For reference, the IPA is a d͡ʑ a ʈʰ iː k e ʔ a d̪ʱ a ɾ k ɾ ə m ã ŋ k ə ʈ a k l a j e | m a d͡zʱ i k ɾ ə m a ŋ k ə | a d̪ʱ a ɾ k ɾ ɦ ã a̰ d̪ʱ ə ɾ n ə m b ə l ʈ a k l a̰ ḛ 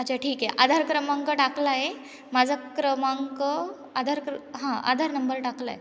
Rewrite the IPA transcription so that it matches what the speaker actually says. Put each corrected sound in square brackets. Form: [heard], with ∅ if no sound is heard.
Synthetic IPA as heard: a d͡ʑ a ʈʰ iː k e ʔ a d̪ʱ a ɾ k ɾ ə m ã ŋ k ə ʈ a k l a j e | m a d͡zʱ [a] k ɾ ə m a ŋ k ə | a d̪ʱ a ɾ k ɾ ɦ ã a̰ d̪ʱ [a] ɾ n ə m b ə [ɾ] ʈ a k l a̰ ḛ